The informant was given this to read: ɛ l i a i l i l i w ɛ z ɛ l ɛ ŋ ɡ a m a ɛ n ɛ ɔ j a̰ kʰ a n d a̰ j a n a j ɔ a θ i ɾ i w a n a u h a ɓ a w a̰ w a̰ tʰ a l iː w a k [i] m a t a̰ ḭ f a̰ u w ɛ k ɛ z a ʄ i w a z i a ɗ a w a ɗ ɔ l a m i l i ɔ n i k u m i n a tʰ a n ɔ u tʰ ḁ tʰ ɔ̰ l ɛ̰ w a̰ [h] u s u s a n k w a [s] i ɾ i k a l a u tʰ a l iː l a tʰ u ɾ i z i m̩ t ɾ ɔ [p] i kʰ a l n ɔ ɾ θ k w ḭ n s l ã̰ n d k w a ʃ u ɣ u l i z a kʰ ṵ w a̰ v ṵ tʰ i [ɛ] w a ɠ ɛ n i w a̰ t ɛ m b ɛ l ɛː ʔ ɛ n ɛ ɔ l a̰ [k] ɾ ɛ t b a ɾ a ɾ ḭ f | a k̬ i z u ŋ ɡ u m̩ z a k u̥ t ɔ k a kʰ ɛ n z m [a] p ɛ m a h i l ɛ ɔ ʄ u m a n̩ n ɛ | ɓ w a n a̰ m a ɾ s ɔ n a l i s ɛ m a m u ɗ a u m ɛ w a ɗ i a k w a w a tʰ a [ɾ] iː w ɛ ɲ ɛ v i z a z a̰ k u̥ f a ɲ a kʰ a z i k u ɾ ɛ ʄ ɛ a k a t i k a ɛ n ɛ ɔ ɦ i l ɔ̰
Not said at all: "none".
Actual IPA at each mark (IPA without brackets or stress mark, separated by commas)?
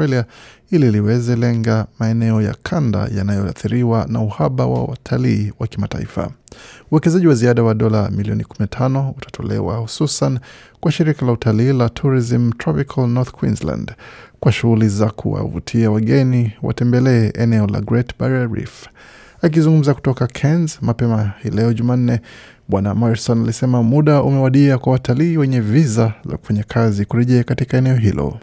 i, h, ʃ, p, a, ɡ, a, l